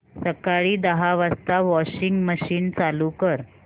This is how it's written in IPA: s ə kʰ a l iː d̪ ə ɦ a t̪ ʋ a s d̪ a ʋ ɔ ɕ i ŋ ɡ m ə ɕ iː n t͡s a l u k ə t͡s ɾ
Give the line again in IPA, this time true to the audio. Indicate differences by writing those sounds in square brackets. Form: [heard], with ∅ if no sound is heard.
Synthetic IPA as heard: s ə [k] a [ɭ] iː d̪ ə ɦ a [∅] ʋ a s [t̪] a ʋ ɔ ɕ i ŋ ɡ m ə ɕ iː n t͡s a l u k ə [∅] ɾ